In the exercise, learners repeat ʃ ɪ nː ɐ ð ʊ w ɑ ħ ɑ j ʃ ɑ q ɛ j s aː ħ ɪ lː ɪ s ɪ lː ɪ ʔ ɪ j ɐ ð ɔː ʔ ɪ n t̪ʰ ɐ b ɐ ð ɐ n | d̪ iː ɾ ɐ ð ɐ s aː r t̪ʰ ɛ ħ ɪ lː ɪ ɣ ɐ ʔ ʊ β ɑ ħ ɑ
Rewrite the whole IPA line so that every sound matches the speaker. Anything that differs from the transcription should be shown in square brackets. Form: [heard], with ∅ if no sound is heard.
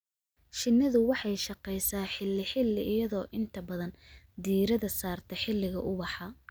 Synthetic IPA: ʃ ɪ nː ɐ ð ʊ w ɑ ħ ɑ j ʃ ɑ q ɛ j s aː ħ ɪ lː ɪ [ħ] ɪ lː ɪ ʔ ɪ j ɐ ð ɔː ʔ ɪ n t̪ʰ ɐ b ɐ ð ɐ n | d̪ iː ɾ ɐ ð ɐ s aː r t̪ʰ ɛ ħ ɪ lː ɪ ɣ ɐ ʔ ʊ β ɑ ħ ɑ

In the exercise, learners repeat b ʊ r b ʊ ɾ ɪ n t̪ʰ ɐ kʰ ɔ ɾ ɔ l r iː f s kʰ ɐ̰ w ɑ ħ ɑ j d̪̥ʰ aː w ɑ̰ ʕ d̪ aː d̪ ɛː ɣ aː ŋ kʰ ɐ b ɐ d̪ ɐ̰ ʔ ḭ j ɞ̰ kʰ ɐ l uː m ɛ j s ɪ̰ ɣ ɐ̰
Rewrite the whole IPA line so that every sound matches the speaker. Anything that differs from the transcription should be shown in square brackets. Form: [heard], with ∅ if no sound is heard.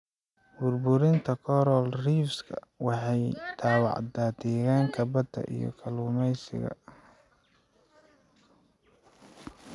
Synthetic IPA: b ʊ r b ʊ ɾ ɪ n t̪ʰ ɐ kʰ ɔ ɾ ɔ l r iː f s kʰ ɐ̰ w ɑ ħ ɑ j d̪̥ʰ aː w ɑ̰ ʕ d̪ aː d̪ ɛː ɣ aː ŋ kʰ ɐ b ɐ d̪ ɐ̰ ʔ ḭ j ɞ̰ kʰ ɐ l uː m ɛ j s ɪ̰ ɣ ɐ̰

